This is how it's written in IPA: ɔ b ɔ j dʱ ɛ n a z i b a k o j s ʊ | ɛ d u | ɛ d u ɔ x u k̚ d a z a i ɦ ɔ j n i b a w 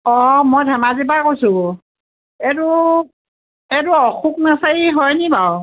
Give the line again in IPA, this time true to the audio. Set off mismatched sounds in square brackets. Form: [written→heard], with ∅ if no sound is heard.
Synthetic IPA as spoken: ɔ [b→m] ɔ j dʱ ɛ [n→m] a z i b a k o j s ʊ | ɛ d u | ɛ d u ɔ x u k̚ [d→n] a [z→s] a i ɦ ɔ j n i b a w